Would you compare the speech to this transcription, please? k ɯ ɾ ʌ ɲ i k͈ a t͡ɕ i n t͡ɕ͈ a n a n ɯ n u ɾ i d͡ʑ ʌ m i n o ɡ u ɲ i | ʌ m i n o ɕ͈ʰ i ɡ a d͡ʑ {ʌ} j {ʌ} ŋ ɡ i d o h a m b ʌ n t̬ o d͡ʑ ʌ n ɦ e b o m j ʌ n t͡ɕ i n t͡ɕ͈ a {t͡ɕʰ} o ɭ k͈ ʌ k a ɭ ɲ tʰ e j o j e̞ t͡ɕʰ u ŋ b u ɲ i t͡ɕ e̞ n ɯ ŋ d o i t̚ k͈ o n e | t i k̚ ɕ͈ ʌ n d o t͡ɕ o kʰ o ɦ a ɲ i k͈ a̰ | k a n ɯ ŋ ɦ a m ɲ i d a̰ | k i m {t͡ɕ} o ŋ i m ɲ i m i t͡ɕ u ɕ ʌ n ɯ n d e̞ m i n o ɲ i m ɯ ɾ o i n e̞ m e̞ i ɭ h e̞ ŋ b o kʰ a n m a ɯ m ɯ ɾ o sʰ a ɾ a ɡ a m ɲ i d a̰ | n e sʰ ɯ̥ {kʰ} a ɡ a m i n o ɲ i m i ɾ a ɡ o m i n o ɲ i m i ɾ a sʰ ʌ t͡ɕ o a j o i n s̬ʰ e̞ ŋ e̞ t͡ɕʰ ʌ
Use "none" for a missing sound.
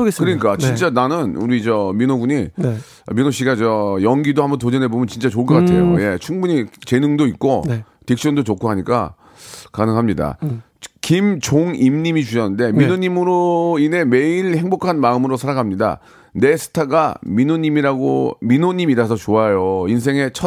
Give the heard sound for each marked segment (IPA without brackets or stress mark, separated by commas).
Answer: ʌ, ʌ, t͡ɕ, t͡ɕ, tʰ